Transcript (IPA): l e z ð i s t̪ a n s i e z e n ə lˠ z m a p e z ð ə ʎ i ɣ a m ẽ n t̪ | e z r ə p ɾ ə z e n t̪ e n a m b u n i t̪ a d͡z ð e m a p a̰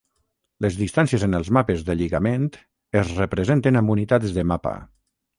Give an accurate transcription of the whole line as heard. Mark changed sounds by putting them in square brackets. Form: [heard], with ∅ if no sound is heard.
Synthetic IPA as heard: l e z ð i s t̪ a n s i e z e n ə lˠ z m a p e z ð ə ʎ i ɣ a m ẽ n t̪ | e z r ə p ɾ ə z e n t̪ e n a m b u n i t̪ a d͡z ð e m a p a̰

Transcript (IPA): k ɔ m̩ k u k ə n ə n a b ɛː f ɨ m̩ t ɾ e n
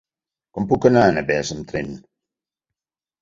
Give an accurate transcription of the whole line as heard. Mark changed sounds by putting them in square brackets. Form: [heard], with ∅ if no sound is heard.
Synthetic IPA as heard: k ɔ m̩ [p] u k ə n [a] n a b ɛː [s] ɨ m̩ t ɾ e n

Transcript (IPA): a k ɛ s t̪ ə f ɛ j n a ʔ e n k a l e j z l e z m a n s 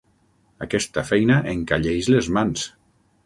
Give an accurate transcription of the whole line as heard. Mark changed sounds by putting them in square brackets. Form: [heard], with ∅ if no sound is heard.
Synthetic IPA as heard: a k ɛ s t̪ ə f ɛ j n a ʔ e [ŋ] k a [ʎ] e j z l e z m a n s

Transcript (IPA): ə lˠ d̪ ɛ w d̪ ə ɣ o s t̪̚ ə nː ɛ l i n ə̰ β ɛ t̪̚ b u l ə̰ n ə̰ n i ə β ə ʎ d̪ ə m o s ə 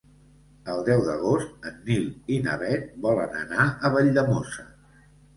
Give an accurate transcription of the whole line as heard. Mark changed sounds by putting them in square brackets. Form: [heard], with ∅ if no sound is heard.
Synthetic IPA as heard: ə lˠ d̪ ɛ w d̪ ə ɣ o s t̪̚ ə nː [i] l i n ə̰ β ɛ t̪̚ b [ɔ] l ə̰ n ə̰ n [a] ə β ə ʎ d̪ ə m o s ə

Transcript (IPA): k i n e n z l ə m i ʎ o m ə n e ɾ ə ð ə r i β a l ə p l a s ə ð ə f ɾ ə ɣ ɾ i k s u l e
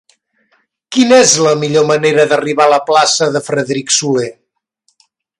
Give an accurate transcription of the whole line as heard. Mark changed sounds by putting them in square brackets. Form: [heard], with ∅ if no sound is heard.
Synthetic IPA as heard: k i n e [∅] z l ə m i ʎ o m ə n e ɾ ə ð ə r i β a l ə p l a s ə ð ə f ɾ ə [ð] ɾ i k s u l e

